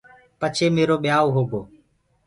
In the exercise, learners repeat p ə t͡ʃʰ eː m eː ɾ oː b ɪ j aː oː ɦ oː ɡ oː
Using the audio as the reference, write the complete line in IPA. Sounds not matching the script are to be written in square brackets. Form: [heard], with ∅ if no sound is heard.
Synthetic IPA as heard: p ə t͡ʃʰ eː m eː ɾ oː [ɓ] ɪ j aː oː ɦ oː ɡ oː